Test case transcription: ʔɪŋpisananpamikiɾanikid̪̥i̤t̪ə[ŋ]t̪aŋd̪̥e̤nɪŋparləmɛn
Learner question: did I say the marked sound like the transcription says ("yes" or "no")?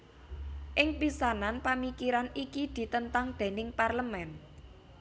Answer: no